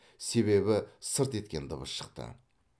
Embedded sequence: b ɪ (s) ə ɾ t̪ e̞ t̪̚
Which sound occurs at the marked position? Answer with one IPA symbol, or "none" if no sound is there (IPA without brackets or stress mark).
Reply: s